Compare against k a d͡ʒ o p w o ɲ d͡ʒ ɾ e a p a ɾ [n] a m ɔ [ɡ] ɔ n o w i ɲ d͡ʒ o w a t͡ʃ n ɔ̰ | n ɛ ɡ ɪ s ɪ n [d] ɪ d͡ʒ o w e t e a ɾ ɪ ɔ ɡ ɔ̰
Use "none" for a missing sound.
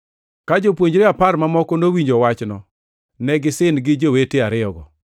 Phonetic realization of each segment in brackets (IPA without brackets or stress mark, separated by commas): m, k, ɡ